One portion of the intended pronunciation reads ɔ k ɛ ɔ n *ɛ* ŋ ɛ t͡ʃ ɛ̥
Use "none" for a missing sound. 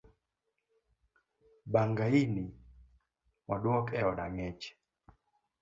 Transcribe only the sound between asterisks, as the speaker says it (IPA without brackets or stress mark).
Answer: a